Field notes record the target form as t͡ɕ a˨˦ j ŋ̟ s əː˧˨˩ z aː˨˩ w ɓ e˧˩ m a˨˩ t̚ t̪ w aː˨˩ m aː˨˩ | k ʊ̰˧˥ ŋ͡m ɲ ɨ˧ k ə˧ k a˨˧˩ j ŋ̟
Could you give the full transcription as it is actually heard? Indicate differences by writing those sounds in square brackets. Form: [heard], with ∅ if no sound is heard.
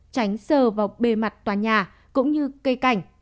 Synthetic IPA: t͡ɕ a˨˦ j ŋ̟ s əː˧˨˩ [v] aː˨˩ w ɓ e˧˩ m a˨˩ t̚ t̪ w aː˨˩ [ɲ] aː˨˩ | k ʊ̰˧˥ ŋ͡m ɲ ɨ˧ k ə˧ k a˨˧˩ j ŋ̟